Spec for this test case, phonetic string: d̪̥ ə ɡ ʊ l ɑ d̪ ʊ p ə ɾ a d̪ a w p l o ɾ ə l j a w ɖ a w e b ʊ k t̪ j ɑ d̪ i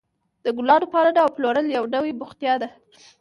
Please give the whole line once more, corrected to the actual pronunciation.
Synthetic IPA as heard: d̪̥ ə ɡ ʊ l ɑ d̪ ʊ p ɑ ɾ a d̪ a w p l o ɾ ə l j a w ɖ a w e b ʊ x t̪ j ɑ d̪ a